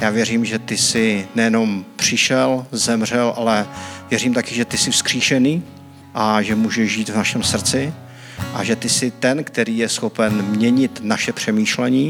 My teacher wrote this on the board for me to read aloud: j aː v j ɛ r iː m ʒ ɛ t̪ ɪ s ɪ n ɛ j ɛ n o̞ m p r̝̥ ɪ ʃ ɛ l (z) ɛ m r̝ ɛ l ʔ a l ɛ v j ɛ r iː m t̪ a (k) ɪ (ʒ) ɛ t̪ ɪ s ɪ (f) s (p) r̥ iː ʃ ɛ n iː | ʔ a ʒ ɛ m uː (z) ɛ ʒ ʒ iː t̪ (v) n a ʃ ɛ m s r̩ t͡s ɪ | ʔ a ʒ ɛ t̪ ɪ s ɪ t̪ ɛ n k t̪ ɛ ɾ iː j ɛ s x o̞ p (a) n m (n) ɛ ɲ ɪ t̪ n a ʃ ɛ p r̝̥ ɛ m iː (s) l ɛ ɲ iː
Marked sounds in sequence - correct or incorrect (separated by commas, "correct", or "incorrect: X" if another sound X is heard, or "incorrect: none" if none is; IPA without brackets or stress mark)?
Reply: correct, correct, correct, correct, incorrect: k, incorrect: ʒ, correct, incorrect: ɛ, incorrect: ɲ, incorrect: ʃ